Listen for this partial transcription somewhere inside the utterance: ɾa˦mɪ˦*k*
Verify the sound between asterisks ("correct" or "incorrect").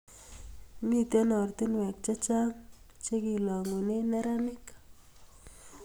correct